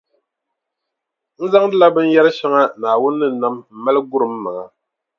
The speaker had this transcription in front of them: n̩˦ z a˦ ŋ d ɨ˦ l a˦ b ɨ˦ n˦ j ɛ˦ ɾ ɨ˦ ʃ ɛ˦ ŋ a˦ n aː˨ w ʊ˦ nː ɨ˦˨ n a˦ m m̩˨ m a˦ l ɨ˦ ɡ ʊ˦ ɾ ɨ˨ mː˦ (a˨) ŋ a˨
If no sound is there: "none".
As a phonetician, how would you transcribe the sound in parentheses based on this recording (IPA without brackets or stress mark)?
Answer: a˨